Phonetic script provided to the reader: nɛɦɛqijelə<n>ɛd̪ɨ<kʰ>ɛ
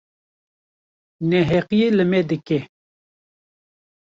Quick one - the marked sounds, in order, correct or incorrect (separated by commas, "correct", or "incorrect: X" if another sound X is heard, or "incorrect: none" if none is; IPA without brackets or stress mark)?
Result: incorrect: m, incorrect: k